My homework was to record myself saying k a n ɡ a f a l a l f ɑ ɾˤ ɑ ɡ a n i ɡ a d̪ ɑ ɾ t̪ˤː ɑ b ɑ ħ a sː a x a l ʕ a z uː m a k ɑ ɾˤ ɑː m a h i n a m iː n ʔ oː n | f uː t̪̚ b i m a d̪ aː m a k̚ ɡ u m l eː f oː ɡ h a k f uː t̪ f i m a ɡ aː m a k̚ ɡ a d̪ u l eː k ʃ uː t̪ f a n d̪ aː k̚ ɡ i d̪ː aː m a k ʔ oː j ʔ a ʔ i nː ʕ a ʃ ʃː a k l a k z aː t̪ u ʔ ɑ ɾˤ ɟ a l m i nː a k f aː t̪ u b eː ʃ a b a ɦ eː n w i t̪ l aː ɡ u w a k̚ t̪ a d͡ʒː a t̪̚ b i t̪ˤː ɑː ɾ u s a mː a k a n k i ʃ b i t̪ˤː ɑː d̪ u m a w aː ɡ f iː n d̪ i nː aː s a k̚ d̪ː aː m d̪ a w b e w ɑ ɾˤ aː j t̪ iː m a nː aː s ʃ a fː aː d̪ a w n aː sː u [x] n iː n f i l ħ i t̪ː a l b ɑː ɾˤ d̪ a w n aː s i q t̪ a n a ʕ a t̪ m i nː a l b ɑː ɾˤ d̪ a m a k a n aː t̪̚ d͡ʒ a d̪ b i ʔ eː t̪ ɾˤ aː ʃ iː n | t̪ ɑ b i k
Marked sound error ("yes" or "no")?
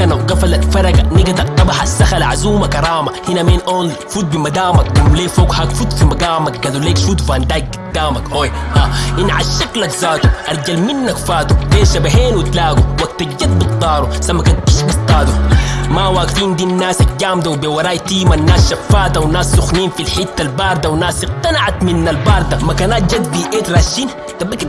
no